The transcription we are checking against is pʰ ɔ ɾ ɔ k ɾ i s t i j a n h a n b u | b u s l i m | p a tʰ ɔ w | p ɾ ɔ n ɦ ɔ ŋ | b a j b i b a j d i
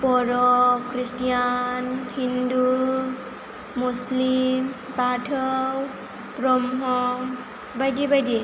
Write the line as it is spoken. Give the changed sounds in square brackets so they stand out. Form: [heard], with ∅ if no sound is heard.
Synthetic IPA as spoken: [p] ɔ ɾ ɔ k ɾ i s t i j a n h [i] n [d] u | [m] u s l i m | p a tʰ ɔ w | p ɾ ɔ [m] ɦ ɔ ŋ | b a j [d] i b a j d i